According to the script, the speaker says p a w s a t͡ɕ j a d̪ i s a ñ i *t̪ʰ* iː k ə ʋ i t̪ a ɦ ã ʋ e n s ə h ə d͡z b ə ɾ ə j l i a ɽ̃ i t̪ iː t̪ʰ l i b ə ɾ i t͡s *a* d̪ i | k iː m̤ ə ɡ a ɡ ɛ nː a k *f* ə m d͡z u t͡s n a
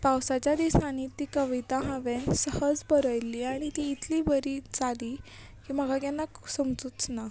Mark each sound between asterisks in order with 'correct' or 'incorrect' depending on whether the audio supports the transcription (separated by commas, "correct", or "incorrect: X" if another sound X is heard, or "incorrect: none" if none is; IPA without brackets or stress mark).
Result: incorrect: t̪, correct, incorrect: s